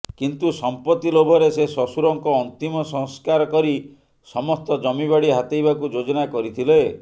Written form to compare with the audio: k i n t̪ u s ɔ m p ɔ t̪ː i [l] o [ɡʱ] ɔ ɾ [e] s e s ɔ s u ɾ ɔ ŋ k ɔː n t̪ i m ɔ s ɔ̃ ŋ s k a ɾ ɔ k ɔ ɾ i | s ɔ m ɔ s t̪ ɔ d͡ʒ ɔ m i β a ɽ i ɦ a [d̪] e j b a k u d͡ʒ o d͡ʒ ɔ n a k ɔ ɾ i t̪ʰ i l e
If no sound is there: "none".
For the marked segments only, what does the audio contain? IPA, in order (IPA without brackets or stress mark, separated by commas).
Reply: l, bʱ, e, t̪